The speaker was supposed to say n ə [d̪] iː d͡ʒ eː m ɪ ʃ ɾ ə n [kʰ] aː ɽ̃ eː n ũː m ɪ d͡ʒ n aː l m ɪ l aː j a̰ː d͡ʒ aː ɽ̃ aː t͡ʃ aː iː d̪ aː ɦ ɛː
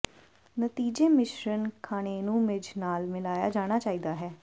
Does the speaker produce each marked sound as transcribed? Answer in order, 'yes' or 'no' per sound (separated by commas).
no, yes